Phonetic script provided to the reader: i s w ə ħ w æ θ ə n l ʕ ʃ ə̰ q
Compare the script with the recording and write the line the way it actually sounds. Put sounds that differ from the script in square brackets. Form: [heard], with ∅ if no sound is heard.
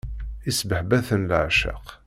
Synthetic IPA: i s [b] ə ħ [b] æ θ ə n l ʕ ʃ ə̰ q